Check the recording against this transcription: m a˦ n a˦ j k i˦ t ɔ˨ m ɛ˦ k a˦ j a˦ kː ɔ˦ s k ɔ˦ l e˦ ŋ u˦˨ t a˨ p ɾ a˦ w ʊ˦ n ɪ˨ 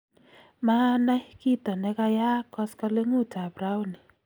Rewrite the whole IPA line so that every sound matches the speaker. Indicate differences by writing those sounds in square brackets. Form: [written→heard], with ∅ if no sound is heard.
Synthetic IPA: m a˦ n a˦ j k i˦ t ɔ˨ [m→n] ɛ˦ k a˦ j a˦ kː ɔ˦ s k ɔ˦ l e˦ ŋ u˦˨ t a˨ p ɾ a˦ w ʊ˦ n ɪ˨